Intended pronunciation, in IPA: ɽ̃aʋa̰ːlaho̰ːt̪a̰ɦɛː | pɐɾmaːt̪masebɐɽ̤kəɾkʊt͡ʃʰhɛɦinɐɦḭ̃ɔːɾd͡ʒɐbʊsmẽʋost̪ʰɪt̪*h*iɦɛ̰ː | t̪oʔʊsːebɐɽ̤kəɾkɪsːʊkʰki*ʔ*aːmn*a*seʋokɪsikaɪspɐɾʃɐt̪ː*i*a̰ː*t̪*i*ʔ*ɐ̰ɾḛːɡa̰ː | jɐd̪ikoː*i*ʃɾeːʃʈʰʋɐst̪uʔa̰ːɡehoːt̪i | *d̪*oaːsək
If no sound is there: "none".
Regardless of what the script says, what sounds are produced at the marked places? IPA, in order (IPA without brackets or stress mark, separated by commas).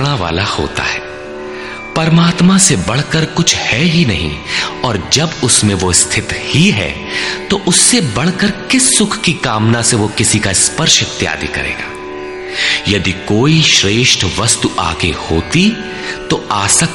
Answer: h, k, a, j, d̪, k, i, t̪